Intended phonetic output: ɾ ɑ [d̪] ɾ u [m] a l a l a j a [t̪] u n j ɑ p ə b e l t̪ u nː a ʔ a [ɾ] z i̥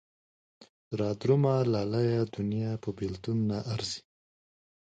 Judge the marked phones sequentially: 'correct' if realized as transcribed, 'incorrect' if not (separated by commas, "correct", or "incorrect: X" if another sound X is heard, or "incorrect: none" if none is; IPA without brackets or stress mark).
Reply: correct, correct, incorrect: d̪, correct